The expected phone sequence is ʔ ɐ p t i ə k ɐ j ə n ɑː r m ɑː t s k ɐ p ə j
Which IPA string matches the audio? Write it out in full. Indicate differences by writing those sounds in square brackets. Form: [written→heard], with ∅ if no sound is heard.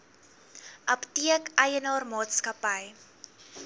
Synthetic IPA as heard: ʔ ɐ p t i ə k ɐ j ə n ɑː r m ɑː t s k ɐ p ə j